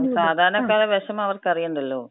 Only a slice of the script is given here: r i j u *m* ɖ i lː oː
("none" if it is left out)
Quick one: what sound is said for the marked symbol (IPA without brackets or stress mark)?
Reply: ɳ